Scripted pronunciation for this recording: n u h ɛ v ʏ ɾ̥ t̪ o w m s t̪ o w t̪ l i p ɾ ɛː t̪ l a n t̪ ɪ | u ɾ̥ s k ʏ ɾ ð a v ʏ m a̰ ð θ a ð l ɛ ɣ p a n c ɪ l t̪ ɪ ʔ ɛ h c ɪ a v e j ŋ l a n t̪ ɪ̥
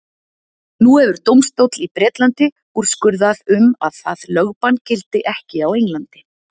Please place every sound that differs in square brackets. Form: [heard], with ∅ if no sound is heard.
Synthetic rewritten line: n u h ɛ v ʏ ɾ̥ t̪ o w m s t̪ o w t̪ l i p ɾ ɛː t̪ l a n t̪ ɪ | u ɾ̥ s k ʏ ɾ ð a [ð] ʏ m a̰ ð θ a ð l [œ] ɣ p a n c ɪ l t̪ ɪ ʔ ɛ h c ɪ a [w] e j ŋ l a n t̪ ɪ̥